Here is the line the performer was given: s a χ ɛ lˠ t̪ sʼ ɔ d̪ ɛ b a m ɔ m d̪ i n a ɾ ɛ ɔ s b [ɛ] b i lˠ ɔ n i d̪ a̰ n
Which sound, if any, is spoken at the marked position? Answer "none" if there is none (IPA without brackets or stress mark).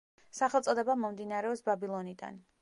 a